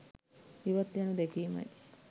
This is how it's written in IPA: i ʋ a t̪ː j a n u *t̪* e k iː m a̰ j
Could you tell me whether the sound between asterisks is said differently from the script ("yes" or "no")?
yes